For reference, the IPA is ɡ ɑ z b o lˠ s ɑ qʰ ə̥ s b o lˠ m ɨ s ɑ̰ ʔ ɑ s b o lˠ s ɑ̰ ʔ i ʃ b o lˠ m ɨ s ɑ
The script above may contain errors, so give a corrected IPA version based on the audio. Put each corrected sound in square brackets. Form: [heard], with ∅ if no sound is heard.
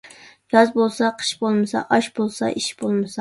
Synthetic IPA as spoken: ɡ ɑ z b o lˠ s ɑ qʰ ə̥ [ʃ] b o lˠ m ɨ s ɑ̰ ʔ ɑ [ʃ] b o lˠ s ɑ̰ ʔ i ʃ b o lˠ m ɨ s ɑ